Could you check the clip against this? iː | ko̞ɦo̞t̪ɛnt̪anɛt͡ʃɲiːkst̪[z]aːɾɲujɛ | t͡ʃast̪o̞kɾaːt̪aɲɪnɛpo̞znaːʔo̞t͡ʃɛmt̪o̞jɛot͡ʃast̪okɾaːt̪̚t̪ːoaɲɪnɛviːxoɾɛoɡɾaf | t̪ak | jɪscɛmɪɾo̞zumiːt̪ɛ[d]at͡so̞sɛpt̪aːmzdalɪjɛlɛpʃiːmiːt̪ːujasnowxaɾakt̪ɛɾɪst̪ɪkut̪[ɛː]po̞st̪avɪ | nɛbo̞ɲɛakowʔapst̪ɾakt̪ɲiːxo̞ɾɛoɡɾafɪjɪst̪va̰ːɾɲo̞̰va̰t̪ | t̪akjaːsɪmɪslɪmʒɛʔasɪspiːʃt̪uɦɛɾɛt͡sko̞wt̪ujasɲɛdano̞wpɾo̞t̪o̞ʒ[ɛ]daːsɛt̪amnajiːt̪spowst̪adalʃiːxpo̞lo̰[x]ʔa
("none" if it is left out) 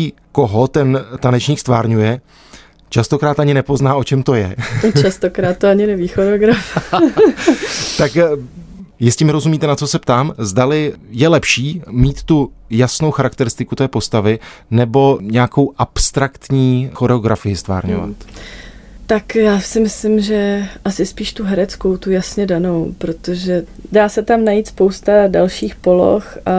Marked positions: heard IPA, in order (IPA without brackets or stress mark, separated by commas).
v, n, ɛː, ɛ, x